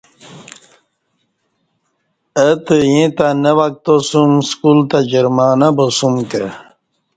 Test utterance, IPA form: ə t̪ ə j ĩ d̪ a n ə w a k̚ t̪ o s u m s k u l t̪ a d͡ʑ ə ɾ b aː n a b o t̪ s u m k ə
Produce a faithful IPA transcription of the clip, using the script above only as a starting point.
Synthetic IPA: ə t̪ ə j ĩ t̪ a n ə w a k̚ t̪ o s u m s k u l t̪ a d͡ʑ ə ɾ m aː n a b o s u m k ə